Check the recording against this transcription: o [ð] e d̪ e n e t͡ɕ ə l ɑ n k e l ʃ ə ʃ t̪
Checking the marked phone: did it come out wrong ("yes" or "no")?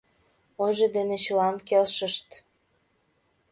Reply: yes